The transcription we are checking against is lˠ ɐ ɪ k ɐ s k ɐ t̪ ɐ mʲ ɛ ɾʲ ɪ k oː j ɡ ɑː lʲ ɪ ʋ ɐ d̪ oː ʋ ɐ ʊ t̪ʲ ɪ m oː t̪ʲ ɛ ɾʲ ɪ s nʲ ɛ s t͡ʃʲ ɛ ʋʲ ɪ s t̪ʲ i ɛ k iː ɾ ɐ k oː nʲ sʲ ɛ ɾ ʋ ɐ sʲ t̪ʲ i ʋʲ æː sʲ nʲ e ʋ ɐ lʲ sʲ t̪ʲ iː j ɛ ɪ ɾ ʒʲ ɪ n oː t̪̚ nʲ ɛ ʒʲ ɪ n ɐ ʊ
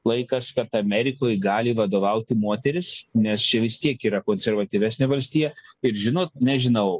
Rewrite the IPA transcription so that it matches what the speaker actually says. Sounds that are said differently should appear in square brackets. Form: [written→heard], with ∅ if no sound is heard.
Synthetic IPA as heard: lˠ ɐ ɪ k ɐ s k ɐ t̪ ɐ mʲ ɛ ɾʲ ɪ k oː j ɡ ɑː lʲ ɪ ʋ ɐ d̪ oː ʋ ɐ ʊ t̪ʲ ɪ m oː t̪ʲ ɛ ɾʲ ɪ s nʲ ɛ s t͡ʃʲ ɛ ʋʲ ɪ s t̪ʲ i ɛ k iː ɾ ɐ k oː nʲ sʲ ɛ ɾ ʋ ɐ [sʲ→∅] t̪ʲ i ʋʲ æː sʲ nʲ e ʋ ɐ lʲ sʲ t̪ʲ iː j ɛ ɪ ɾ ʒʲ ɪ n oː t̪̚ nʲ ɛ ʒʲ ɪ n ɐ ʊ

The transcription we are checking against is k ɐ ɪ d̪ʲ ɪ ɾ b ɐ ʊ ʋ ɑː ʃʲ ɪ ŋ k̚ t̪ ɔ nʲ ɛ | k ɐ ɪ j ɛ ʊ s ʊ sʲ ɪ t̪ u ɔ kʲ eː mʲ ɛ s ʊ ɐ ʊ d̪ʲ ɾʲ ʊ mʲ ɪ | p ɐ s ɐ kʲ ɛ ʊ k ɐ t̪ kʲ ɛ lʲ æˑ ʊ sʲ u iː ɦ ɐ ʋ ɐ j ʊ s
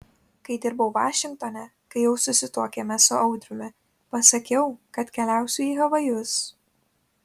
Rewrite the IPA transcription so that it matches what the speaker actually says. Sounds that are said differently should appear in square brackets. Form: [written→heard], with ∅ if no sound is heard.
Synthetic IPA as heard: k ɐ ɪ d̪ʲ ɪ ɾ b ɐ ʊ ʋ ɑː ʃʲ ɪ ŋ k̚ t̪ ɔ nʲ ɛ | k ɐ ɪ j ɛ ʊ s ʊ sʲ ɪ t̪ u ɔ kʲ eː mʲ ɛ s ʊ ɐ ʊ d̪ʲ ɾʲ ʊ mʲ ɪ | p ɐ s ɐ kʲ ɛ ʊ k ɐ t̪ kʲ ɛ lʲ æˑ ʊ sʲ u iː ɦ ɐ ʋ ɐ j ʊ s

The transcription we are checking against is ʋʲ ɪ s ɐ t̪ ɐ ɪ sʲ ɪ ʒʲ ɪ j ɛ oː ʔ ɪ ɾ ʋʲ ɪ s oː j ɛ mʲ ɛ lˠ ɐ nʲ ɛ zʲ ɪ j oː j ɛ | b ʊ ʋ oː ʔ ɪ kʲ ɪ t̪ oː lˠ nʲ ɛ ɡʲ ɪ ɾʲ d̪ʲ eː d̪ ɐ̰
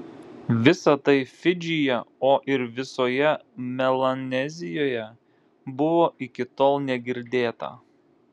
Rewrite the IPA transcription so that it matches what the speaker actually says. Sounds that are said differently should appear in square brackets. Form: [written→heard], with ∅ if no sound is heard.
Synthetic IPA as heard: ʋʲ ɪ s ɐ t̪ ɐ ɪ [sʲ→fʲ] ɪ [ʒʲ→d͡ʒʲ] ɪ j ɛ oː ʔ ɪ ɾ ʋʲ ɪ s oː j ɛ mʲ ɛ lˠ ɐ nʲ ɛ zʲ ɪ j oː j ɛ | b ʊ ʋ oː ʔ ɪ kʲ ɪ t̪ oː lˠ nʲ ɛ ɡʲ ɪ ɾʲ d̪ʲ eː [d̪→t̪] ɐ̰

